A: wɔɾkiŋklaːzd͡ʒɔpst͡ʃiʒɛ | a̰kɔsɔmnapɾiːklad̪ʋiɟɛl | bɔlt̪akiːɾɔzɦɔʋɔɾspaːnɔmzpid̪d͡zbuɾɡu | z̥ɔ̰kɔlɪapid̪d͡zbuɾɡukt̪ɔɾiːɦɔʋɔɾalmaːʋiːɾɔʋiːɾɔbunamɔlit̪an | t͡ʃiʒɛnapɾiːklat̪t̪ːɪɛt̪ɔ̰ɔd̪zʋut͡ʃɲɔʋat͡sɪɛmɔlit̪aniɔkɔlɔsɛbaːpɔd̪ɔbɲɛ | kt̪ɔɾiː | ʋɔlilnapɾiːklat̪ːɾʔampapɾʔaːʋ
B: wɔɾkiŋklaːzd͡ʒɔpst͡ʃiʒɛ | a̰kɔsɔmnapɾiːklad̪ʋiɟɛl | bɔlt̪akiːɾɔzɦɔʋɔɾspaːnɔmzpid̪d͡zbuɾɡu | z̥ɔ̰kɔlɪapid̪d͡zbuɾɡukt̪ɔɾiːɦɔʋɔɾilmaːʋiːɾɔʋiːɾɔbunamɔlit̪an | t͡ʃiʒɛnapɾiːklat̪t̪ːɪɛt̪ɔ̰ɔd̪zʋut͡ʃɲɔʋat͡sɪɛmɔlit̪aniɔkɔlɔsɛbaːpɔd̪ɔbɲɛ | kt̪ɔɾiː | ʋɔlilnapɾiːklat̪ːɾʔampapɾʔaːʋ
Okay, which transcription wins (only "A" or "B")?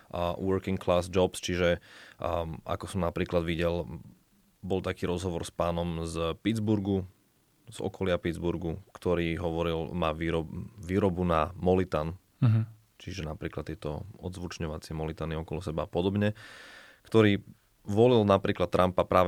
B